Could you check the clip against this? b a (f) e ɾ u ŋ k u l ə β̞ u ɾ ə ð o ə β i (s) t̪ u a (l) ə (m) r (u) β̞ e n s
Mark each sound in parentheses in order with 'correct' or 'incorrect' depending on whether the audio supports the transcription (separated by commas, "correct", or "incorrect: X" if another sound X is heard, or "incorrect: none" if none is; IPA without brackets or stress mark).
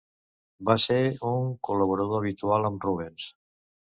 incorrect: s, incorrect: none, correct, correct, correct